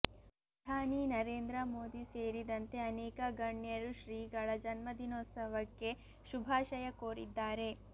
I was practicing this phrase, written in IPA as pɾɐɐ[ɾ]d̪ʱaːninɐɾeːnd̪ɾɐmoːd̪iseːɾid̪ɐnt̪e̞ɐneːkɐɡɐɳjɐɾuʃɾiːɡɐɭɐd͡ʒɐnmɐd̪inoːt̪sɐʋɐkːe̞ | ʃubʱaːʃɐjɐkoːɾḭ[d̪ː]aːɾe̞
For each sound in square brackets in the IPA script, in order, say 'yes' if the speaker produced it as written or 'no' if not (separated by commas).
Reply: no, yes